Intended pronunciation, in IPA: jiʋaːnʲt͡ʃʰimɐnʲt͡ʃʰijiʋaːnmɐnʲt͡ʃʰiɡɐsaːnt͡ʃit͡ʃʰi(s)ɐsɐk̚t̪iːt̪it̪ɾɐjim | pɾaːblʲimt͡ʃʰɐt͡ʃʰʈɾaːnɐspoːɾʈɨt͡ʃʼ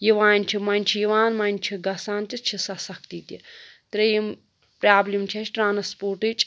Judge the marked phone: correct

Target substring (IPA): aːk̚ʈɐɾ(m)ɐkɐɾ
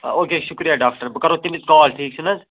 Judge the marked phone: incorrect: b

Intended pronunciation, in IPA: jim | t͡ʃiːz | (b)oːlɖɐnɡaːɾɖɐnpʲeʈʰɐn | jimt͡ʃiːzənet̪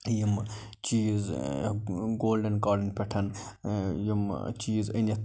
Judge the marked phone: incorrect: ɡ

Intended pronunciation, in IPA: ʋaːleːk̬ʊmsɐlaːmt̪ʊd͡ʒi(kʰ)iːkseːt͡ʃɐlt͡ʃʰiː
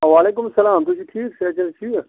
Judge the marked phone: incorrect: ʈʰ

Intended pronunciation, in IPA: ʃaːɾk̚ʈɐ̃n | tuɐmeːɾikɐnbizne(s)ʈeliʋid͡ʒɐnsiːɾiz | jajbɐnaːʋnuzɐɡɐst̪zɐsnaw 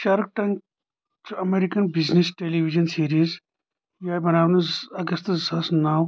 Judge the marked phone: correct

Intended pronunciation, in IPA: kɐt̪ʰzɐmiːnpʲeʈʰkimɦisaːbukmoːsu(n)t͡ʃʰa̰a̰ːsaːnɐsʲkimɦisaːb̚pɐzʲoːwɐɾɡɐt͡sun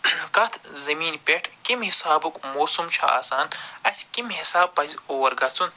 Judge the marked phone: incorrect: m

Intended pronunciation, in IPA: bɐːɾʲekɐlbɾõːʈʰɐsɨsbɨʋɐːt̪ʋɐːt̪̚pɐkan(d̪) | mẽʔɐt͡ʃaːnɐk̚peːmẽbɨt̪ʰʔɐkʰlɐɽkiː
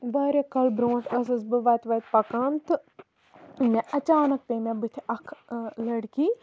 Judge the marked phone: incorrect: t̪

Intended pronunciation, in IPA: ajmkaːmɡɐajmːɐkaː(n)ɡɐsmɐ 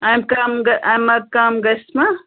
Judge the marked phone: incorrect: m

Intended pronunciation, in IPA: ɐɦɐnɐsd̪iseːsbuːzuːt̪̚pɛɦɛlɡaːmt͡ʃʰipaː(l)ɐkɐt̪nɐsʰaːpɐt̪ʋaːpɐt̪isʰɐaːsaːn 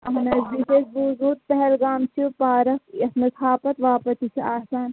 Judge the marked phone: incorrect: ɾ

